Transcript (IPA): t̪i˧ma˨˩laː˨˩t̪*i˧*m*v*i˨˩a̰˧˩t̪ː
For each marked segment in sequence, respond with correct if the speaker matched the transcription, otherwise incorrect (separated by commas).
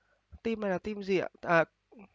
correct, incorrect